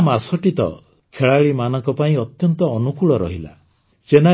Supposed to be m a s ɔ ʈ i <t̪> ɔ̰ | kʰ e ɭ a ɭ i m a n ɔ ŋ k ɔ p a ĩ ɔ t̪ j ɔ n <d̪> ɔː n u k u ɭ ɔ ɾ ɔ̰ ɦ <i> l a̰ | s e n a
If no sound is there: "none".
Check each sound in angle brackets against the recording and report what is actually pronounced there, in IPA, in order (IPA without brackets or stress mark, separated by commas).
t̪, t̪, i